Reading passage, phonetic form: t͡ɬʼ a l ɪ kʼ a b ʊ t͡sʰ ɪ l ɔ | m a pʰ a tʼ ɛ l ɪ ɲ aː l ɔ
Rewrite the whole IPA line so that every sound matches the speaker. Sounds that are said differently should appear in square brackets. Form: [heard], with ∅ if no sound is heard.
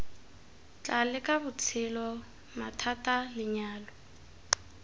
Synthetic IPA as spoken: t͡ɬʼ a l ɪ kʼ a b ʊ t͡sʰ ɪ l ɔ | m a [tʰ] a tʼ [a] l ɪ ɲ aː l ɔ